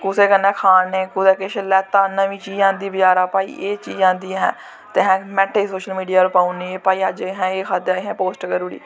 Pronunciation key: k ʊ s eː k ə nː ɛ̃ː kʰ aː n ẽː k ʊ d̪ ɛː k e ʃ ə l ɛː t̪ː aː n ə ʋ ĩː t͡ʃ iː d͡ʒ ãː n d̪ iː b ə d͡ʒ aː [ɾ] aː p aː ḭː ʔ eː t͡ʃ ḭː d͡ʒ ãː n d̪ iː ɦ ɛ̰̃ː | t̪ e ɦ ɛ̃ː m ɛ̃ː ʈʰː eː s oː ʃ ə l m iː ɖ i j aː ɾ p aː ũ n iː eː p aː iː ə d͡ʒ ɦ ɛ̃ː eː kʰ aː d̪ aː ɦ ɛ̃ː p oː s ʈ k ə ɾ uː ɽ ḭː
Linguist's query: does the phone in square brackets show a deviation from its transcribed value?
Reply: no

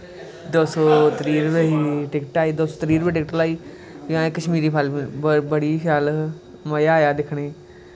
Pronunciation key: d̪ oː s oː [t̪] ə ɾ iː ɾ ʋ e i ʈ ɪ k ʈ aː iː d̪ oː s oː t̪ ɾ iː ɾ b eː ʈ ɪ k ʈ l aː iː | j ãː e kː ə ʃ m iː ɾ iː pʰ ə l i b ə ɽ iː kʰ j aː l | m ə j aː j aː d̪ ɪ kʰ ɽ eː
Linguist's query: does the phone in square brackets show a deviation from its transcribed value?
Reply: no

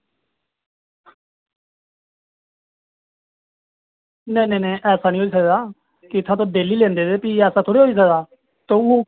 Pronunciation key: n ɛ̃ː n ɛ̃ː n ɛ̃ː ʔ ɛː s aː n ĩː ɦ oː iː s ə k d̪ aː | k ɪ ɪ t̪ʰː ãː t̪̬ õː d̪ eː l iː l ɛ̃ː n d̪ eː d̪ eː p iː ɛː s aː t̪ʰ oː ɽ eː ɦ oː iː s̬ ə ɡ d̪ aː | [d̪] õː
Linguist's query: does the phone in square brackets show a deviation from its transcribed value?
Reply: yes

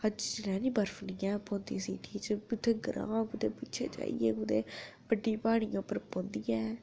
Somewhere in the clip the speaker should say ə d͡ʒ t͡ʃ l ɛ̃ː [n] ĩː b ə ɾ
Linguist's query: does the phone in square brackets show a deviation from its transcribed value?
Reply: no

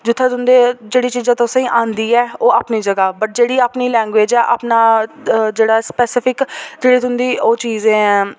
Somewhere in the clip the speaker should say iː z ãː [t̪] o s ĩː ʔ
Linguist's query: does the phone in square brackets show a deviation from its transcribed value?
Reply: no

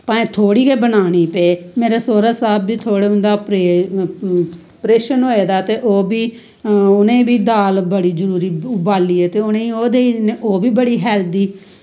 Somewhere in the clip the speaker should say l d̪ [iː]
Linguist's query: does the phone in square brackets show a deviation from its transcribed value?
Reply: no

